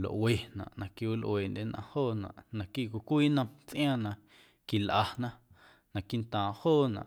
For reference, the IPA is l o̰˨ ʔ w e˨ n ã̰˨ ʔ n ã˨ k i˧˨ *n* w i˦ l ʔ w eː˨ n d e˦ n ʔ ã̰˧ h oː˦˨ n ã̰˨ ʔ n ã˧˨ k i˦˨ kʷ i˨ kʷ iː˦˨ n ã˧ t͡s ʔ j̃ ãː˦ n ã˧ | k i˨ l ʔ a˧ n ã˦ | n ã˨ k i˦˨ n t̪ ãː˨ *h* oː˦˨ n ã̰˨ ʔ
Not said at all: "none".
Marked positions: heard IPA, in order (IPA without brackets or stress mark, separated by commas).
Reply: none, h